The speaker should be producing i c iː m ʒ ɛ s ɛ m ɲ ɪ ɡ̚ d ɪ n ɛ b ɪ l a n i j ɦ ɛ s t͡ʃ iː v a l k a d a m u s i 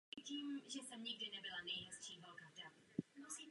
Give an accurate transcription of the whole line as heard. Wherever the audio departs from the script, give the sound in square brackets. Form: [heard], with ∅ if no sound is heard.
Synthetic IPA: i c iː m ʒ ɛ s ɛ m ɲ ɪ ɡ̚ d ɪ n ɛ b ɪ l a n [ɛ] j ɦ ɛ s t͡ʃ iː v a l k a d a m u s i